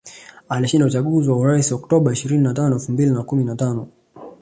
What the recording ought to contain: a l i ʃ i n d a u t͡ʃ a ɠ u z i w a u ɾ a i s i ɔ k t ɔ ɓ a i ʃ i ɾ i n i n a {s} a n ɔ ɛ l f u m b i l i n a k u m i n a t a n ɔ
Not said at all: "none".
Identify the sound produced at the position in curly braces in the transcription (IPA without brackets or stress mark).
t